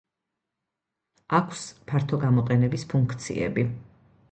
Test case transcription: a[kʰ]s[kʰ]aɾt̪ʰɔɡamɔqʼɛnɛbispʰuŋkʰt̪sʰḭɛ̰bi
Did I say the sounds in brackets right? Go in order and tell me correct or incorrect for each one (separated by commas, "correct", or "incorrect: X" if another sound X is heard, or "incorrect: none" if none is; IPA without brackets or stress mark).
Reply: correct, incorrect: pʰ